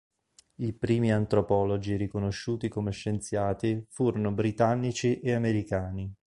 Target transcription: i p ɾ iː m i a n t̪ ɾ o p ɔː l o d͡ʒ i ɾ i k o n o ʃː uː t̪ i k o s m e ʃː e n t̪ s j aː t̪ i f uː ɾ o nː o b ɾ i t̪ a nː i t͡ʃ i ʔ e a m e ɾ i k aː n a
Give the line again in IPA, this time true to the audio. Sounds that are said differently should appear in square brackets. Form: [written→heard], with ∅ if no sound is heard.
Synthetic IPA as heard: i p ɾ iː m i a n t̪ ɾ o p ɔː l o d͡ʒ i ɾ i k o n o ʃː uː t̪ i k o [s→∅] m e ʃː e n t̪ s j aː t̪ i f uː ɾ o [nː→n] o b ɾ i t̪ a nː i t͡ʃ i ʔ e a m e ɾ i k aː n [a→i]